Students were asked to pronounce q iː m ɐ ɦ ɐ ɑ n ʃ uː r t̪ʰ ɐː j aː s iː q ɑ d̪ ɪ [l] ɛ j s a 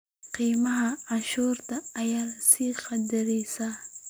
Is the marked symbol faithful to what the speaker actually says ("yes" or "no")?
no